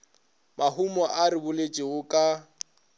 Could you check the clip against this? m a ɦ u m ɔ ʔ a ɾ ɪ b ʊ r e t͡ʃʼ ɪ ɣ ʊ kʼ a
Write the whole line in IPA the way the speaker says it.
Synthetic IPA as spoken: m a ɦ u m ɔ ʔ a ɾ ɪ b ʊ l e t͡ʃʼ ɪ ɣ ʊ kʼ a